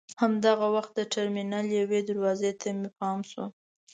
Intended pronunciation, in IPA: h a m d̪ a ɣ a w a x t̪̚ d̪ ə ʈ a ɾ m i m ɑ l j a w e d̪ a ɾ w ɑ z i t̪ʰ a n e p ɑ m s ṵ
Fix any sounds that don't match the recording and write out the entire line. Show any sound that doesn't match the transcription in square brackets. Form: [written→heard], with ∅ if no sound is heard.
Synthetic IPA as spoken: h a m d̪ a ɣ a w a x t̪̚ d̪ ə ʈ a ɾ m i [m→n] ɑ l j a w e d̪ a ɾ w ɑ z [i→e] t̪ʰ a [n→m] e p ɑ m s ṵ

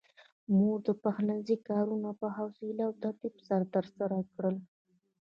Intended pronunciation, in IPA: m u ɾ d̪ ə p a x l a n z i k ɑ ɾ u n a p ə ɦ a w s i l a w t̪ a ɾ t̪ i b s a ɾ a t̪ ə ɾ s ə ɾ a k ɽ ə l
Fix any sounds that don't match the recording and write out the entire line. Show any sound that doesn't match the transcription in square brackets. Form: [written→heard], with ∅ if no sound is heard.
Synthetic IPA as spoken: m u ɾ d̪ ə p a x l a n z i k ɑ ɾ u n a p ə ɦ a w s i l a w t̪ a ɾ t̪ i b s a ɾ a t̪ ə ɾ s [ə→a] ɾ a k ɽ ə l

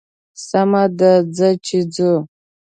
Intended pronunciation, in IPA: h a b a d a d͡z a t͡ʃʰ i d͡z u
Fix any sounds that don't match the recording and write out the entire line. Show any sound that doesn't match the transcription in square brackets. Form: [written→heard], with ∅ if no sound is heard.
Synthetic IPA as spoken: [h→s] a [b→m] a d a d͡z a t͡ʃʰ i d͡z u

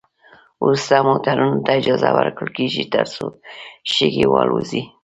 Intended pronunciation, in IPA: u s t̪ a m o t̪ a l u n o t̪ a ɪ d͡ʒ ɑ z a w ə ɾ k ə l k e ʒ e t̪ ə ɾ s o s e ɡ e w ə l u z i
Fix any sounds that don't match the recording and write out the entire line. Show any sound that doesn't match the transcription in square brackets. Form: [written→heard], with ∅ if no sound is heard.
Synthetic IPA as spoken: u s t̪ a m o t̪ a [l→ɾ] u n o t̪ a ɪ d͡ʒ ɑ z a w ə ɾ k ə l k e ʒ [e→i] t̪ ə ɾ s o [s→ʃ] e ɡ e w [ə→ɑ] l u z i

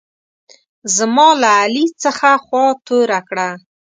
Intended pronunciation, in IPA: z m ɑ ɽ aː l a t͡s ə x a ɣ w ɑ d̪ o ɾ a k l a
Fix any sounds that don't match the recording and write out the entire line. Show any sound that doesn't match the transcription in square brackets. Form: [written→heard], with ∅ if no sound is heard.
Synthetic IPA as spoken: z m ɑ [ɽ→l] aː l [a→i] t͡s ə x a [ɣ→x] w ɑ [d̪→t̪] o ɾ a k [l→ɽ] a

